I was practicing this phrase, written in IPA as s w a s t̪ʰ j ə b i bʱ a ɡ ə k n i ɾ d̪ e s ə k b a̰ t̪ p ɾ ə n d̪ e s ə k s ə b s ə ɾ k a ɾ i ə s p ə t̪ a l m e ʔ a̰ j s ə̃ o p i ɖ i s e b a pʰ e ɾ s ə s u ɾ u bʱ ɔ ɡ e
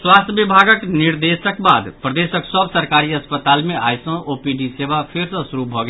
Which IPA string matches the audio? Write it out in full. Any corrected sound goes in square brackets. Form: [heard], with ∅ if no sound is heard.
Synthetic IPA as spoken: s w a s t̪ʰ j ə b i bʱ a ɡ ə k n i ɾ d̪ e s ə k b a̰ [d̪] p ɾ ə [∅] d̪ e s ə k s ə b s ə ɾ k a ɾ i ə s p ə t̪ a l m e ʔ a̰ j s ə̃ o p i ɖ i s e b a pʰ e ɾ s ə s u ɾ u bʱ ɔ ɡ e